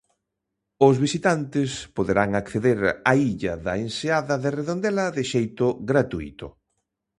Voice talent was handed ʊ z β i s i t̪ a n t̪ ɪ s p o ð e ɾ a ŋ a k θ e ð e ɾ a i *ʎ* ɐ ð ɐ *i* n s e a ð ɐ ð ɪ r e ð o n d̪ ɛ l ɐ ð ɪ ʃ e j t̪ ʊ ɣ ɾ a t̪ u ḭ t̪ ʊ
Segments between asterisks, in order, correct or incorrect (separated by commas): correct, incorrect